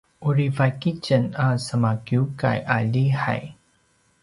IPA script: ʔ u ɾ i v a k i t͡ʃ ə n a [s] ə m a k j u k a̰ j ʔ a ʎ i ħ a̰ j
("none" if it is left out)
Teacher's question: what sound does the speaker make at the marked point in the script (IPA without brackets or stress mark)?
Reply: s